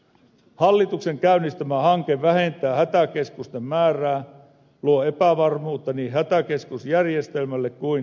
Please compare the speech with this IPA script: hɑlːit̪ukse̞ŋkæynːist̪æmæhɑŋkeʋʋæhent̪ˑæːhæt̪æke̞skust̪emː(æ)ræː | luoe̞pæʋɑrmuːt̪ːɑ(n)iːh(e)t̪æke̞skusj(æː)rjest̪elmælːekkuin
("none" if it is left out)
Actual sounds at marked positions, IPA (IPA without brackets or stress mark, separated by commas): æː, n, æ, æ